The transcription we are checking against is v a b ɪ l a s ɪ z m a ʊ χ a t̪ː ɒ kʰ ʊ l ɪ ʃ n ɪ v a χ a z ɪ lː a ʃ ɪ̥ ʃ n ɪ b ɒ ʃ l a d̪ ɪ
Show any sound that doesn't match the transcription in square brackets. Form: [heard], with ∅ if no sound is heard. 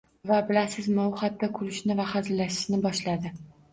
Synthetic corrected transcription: v a b ɪ l a s ɪ z m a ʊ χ a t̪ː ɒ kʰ ʊ l ɪ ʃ n ɪ v a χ a z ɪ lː a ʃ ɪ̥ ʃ n ɪ b ɒ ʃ l a d̪ ɪ